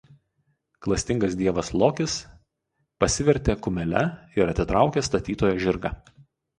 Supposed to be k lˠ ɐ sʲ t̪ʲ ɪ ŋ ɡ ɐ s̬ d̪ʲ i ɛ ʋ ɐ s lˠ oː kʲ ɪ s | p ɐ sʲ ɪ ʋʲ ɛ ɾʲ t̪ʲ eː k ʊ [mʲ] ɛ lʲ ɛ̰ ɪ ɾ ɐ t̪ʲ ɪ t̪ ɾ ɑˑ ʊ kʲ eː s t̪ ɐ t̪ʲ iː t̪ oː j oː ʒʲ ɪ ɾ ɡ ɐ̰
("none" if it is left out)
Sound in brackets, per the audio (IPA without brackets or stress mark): mʲ